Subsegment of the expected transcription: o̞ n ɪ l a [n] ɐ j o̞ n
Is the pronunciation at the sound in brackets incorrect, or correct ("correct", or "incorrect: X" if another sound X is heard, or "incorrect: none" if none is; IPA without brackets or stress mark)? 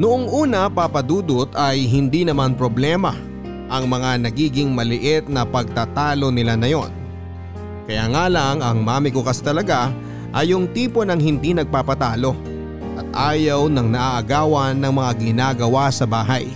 correct